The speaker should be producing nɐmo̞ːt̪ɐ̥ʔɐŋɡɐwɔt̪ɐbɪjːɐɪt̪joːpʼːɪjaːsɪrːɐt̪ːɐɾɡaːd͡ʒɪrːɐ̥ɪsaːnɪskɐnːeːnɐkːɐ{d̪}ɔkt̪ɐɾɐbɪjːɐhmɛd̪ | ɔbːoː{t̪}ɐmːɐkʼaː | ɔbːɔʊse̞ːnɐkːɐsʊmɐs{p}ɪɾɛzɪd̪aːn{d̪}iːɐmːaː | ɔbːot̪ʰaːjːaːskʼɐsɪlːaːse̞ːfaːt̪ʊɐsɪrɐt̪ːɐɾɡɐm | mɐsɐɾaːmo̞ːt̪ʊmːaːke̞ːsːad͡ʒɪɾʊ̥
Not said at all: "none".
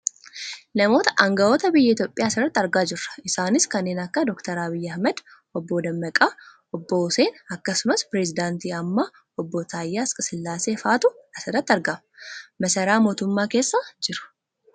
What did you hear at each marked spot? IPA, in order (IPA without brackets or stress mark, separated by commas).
d̪, d̪, p, t̪